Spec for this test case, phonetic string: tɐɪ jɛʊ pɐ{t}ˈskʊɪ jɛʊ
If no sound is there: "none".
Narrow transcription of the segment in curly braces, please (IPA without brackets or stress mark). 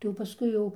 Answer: none